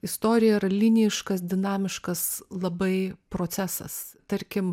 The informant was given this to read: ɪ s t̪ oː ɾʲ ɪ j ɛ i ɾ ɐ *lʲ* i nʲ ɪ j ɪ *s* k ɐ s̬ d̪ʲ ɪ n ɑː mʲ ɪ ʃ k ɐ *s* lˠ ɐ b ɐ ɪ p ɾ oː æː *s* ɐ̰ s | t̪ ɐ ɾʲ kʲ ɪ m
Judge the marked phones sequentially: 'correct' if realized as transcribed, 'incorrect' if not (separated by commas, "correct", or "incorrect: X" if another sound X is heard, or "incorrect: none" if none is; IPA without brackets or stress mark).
correct, incorrect: ʃ, correct, correct